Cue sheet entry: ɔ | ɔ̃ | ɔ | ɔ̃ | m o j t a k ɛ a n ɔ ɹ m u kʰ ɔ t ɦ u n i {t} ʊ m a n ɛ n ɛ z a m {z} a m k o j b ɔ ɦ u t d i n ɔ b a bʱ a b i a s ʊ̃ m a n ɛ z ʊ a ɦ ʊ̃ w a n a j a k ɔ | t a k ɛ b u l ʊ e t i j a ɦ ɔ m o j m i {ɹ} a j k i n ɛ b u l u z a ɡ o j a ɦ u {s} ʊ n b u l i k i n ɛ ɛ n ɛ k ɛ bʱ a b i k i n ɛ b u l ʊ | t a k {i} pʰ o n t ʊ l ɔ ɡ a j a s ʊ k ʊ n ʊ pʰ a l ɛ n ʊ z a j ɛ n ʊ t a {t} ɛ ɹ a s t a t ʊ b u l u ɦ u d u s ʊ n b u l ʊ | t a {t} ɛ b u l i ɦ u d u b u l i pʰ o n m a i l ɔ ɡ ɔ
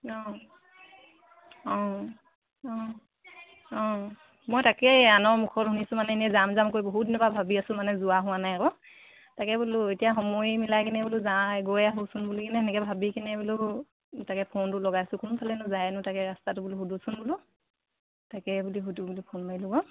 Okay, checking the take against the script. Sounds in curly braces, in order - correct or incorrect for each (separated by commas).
incorrect, correct, incorrect, correct, incorrect, incorrect, incorrect